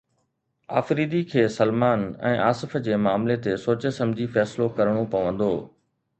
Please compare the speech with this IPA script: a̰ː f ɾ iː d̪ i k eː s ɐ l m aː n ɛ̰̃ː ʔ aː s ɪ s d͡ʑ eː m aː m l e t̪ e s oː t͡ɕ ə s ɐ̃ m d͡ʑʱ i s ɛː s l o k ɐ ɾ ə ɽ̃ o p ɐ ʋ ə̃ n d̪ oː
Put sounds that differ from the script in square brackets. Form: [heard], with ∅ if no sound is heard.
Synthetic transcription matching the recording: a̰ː f ɾ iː d̪ i [kʰ] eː s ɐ l m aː n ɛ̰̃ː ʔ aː s ɪ [f] d͡ʑ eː m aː m l e t̪ e s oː t͡ɕ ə s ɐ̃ m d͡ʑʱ i [f] ɛː s l o k ɐ ɾ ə ɽ̃ o p ɐ ʋ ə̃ n d̪ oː